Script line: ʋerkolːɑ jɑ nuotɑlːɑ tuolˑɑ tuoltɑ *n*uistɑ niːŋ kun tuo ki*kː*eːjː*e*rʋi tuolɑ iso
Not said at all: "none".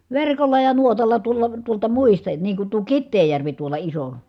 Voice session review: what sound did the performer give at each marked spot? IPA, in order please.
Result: m, tː, æ

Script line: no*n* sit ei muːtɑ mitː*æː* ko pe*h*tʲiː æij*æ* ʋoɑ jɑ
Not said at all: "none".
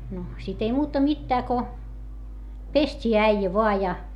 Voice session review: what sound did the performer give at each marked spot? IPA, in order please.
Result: none, æː, s, æ

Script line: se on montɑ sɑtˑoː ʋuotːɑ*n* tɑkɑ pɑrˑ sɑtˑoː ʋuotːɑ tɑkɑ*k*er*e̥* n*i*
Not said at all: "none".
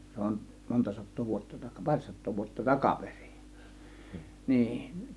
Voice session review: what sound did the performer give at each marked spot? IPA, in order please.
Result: none, p, i̥, iː

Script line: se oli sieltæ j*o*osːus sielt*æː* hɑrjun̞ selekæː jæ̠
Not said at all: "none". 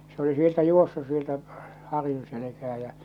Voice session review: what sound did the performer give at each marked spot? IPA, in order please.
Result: u, æ

